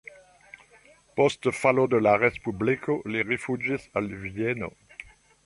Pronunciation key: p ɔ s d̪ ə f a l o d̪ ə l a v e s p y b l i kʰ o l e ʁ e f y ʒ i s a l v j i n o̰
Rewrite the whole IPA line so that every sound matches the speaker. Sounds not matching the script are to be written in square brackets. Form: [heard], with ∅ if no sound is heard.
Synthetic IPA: p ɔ s [t̪] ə f a l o d̪ ə l a [ʁ] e s p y b l i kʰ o l e ʁ e f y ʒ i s a l v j [ɛ] n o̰